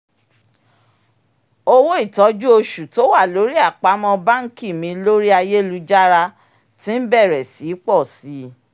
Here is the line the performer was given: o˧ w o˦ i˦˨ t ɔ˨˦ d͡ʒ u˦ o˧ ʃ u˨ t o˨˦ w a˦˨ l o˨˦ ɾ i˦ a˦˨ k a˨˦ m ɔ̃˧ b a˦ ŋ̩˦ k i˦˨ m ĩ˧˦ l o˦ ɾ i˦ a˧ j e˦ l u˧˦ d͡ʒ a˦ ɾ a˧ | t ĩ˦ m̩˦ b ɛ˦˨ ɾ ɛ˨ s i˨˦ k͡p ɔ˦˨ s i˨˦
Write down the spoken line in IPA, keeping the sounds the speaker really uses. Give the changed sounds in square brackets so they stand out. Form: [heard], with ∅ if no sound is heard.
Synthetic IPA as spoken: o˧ w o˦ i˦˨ t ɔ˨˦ d͡ʒ u˦ o˧ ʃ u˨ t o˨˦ w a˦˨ l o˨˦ ɾ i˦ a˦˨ [k͡p] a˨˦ m ɔ̃˧ b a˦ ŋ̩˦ k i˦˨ m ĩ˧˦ l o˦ ɾ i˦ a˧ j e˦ l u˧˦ d͡ʒ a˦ ɾ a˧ | t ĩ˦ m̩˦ b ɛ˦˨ ɾ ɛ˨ s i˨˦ k͡p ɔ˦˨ s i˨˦

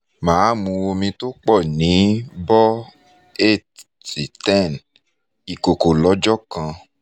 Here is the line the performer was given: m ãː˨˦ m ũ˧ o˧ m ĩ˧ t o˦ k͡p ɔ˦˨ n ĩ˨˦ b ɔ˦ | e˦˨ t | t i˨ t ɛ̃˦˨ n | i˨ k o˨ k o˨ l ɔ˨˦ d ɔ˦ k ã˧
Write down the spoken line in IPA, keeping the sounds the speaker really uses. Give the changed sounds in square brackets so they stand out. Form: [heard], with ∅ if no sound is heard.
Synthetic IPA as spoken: m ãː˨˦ m ũ˧ o˧ m ĩ˧ t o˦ k͡p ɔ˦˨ n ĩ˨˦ b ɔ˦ | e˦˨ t | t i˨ t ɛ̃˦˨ n | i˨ k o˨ k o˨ l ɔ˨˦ [d͡ʒ] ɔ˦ k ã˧

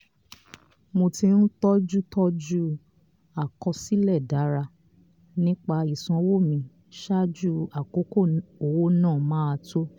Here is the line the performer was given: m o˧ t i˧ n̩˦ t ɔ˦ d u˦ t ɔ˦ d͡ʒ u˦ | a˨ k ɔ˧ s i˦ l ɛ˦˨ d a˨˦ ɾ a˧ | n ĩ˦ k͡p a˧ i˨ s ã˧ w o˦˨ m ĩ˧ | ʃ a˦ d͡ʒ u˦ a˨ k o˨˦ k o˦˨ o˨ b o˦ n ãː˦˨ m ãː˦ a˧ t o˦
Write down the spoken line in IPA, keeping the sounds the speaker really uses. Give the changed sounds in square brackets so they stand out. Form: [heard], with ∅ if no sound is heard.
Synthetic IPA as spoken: m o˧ t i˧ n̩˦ t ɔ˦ [d͡ʒ] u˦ t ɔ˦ d͡ʒ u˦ | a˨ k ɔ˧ s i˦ l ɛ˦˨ d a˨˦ ɾ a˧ | n ĩ˦ k͡p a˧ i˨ s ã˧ w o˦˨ m ĩ˧ | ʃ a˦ d͡ʒ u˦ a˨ k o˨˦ k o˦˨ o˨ [w] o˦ n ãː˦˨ m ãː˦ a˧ t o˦

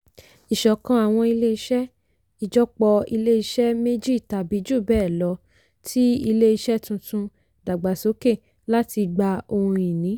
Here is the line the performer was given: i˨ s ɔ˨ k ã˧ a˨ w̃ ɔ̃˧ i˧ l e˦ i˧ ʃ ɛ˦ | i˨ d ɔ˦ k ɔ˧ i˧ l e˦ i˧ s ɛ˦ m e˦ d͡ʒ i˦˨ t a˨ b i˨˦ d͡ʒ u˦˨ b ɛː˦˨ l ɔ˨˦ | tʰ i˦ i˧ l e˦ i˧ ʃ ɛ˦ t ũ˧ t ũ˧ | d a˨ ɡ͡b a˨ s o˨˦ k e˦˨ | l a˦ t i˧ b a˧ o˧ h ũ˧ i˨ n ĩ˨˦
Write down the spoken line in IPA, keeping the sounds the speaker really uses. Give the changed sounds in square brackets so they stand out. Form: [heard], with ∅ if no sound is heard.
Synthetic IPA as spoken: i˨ [ʃ] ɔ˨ k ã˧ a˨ w̃ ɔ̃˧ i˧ l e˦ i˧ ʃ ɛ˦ | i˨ [d͡ʒ] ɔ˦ [k͡p] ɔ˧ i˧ l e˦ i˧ [ʃ] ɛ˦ m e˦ d͡ʒ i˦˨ t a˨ b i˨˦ d͡ʒ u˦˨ b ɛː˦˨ l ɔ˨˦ | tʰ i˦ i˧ l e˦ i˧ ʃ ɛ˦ t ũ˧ t ũ˧ | d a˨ ɡ͡b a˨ s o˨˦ k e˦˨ | l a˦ t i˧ [ɡ͡b] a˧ o˧ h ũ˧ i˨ n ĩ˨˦

